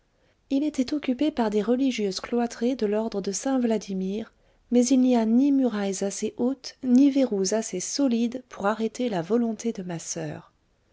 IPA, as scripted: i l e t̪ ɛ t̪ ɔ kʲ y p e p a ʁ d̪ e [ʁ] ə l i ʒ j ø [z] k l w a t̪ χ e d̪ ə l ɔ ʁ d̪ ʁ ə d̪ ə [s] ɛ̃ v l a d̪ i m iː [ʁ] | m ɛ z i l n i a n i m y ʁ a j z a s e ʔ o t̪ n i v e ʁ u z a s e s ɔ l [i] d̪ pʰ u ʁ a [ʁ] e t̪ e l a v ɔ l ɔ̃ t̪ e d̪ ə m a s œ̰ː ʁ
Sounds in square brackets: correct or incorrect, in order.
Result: correct, correct, correct, correct, correct, correct

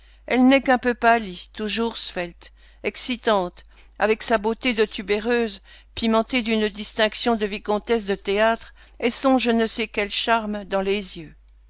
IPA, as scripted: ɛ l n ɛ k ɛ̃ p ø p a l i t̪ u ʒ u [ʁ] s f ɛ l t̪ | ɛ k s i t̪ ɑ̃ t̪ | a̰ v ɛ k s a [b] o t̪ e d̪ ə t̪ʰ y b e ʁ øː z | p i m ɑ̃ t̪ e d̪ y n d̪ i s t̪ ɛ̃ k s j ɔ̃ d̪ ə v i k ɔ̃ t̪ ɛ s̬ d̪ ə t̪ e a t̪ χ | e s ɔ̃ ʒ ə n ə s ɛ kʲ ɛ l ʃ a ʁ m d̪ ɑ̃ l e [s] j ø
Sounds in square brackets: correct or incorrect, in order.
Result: correct, correct, incorrect

